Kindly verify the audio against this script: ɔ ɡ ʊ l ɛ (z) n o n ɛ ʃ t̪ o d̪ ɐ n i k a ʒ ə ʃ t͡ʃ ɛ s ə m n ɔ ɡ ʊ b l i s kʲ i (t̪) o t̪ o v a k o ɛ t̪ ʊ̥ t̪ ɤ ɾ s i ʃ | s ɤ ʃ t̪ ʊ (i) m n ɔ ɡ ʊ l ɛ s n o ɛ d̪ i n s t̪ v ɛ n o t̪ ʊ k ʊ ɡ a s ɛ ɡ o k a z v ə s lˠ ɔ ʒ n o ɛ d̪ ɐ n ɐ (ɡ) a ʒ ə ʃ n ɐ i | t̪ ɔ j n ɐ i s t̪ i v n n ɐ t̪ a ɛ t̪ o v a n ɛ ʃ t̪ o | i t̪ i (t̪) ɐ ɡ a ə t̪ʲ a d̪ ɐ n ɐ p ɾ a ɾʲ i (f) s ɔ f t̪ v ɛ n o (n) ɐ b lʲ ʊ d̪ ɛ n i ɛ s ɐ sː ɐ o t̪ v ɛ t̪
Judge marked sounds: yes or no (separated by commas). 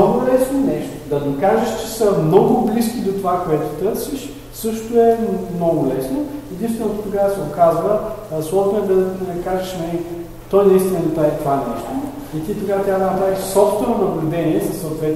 no, no, no, no, yes, no, yes